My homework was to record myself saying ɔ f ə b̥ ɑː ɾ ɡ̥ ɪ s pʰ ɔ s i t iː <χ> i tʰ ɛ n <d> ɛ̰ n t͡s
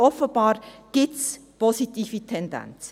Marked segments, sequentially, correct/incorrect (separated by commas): incorrect, correct